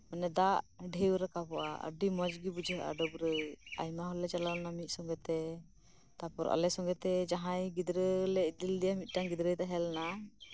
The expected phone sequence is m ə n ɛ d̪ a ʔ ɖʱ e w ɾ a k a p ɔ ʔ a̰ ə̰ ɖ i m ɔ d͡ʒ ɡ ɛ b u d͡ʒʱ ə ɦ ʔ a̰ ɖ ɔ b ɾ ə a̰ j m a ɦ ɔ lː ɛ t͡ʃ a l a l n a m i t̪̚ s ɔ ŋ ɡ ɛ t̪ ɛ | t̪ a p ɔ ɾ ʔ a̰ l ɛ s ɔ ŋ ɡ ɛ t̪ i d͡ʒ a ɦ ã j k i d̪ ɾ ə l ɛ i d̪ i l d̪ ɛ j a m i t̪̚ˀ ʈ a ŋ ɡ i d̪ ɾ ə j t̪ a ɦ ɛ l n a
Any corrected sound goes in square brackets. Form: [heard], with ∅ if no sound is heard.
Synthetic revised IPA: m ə n ɛ d̪ a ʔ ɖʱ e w ɾ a k a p ɔ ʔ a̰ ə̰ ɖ i m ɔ d͡ʒ ɡ [i] b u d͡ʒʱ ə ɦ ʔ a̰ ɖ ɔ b ɾ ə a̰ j m a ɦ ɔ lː ɛ t͡ʃ a l a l n a m i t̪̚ s ɔ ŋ ɡ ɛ t̪ ɛ | t̪ a p ɔ ɾ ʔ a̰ l ɛ s ɔ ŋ ɡ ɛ t̪ [ɛ] d͡ʒ a ɦ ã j [ɡ] i d̪ ɾ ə l ɛ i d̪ i l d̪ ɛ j a m i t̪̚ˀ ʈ a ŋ ɡ i d̪ ɾ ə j t̪ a ɦ ɛ l n a